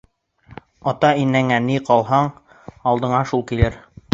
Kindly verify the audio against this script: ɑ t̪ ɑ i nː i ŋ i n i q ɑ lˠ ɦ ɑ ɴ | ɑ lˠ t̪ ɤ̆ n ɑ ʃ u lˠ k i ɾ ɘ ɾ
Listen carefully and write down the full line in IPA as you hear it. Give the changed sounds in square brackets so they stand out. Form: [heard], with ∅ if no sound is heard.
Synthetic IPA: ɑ t̪ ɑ i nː [æ] ŋ [æ] n i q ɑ lˠ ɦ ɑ ɴ | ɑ lˠ [d̪] ɤ̆ [ɴ] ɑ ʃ u lˠ k i [l] ɘ ɾ